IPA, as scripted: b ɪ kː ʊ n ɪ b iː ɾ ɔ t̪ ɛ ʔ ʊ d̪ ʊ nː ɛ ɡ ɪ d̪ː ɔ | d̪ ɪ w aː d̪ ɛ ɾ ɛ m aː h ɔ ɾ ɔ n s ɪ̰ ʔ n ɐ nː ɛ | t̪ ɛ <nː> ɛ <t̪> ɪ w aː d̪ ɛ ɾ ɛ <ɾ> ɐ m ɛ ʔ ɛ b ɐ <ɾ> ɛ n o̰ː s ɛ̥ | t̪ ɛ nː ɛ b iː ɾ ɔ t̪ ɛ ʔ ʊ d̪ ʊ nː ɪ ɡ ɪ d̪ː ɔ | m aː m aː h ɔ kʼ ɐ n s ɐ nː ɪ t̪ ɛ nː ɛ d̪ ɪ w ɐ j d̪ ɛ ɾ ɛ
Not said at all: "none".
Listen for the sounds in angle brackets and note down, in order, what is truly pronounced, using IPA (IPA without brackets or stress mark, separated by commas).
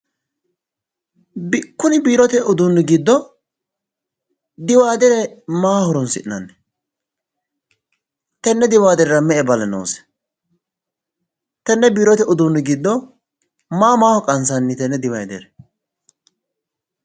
nː, d̪, ɾ, l